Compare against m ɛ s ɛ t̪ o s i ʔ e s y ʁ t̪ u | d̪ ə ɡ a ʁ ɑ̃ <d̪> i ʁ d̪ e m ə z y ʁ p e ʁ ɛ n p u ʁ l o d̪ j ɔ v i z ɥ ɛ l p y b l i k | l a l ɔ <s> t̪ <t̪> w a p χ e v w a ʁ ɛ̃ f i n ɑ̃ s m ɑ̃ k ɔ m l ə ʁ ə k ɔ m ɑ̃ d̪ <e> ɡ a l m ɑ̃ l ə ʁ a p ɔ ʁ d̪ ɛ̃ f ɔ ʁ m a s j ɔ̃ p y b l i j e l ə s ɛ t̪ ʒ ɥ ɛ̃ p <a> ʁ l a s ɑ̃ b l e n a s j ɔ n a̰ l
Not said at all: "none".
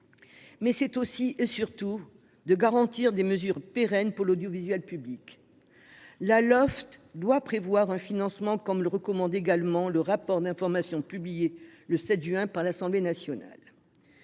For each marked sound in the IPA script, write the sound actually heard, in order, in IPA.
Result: t̪, f, d̪, e, a

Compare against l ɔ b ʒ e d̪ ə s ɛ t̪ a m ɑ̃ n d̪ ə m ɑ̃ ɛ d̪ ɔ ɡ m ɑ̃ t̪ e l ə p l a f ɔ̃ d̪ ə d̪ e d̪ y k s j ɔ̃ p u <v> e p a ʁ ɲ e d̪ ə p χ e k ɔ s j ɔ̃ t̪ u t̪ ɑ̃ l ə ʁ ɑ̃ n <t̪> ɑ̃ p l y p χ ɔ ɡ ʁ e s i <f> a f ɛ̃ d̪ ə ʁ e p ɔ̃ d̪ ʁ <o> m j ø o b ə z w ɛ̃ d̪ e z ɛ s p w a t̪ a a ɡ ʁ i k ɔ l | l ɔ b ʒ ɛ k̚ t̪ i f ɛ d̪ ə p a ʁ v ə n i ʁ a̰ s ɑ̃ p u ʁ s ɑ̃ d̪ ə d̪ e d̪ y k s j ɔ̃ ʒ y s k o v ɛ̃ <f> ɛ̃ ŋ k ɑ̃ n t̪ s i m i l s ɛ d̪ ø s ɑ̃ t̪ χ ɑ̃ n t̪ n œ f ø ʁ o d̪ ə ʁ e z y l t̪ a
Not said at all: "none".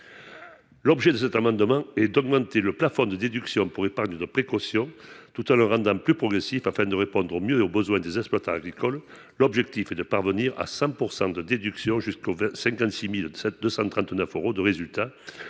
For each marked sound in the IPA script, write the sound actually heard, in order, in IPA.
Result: ʁ, d̪, f, o, s

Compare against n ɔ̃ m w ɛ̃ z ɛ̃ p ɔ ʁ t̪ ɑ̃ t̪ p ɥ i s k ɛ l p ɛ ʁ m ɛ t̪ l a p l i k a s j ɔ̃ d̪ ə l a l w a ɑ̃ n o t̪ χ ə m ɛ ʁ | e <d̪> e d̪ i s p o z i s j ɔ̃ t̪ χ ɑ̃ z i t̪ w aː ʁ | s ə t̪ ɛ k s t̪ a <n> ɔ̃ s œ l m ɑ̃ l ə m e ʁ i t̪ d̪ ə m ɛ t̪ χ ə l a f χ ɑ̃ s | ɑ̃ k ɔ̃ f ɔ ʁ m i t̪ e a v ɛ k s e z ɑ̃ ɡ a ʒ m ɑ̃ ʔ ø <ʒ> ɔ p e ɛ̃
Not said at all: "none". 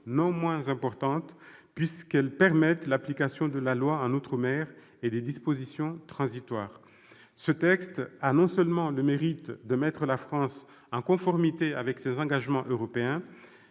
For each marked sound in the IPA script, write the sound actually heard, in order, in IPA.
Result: d̪, n, ʁ

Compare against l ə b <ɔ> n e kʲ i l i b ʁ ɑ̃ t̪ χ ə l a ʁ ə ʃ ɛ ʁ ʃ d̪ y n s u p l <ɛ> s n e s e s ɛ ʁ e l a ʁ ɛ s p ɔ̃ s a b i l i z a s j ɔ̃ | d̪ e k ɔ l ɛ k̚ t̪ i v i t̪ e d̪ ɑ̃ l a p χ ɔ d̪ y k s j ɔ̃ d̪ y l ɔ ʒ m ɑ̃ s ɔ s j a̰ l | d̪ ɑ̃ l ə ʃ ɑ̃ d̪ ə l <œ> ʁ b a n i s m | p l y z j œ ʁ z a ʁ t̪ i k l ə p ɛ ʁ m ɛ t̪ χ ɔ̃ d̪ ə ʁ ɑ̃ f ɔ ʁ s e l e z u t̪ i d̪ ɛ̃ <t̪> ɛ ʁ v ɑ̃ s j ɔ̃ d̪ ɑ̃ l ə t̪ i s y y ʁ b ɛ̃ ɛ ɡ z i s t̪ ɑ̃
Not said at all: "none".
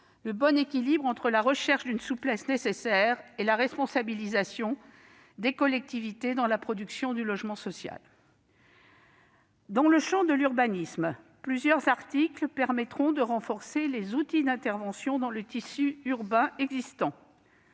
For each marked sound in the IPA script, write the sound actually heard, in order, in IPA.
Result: ɔ, ɛ, y, t̪

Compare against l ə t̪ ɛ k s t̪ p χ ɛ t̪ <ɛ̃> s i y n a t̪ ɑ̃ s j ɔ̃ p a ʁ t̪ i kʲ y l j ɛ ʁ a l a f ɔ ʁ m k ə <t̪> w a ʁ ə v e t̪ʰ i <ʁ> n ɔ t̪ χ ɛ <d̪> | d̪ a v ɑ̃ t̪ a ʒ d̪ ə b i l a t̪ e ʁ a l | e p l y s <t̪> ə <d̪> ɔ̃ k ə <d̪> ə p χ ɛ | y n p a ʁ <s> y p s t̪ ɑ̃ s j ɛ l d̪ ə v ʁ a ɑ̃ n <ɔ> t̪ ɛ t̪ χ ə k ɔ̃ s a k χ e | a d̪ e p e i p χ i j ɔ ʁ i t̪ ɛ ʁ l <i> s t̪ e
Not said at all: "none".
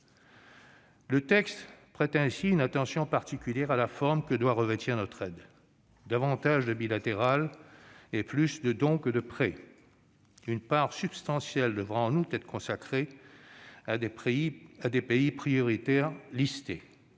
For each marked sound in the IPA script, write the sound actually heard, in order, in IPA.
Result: ɛ̃, d̪, ʁ, d̪, d̪, d̪, d̪, s, u, i

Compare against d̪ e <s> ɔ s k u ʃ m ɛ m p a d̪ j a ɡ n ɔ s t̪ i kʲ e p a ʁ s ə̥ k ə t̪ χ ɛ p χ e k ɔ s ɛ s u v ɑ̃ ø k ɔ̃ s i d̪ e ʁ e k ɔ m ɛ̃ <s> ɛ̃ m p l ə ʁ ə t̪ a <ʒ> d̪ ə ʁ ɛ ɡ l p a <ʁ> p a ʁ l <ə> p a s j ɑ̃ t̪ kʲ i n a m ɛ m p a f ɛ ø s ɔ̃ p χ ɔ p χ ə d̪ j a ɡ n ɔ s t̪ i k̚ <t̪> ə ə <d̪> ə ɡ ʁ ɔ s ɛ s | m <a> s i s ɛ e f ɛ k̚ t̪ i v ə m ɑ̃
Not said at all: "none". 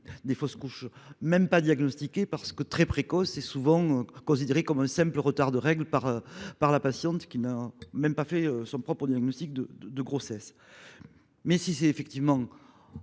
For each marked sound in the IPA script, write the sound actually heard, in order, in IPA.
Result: f, s, ʁ, ʁ, a, d̪, d̪, ɛ

